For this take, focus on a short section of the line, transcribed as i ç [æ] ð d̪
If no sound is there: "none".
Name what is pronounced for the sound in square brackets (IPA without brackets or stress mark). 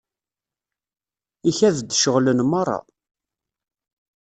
æ